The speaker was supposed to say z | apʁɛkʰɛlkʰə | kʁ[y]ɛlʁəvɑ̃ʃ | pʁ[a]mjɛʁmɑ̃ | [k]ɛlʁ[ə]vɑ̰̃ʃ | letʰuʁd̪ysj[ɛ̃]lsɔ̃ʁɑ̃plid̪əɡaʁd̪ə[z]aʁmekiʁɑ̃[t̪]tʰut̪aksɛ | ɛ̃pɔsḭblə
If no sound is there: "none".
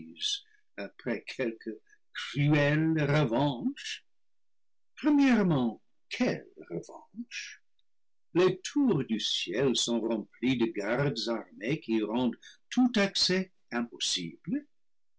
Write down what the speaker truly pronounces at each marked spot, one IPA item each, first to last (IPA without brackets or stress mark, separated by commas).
y, ə, kʰ, ə, ɛ, z, d̪